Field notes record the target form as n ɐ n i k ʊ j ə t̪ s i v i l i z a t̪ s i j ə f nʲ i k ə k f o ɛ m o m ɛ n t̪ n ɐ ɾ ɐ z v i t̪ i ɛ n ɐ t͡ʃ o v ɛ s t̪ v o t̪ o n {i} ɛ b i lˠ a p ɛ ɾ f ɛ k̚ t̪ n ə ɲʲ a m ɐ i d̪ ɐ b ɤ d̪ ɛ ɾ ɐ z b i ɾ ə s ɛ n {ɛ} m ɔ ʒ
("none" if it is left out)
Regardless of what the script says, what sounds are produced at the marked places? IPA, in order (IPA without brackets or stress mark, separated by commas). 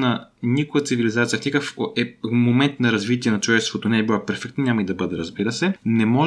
ɛ, ɛ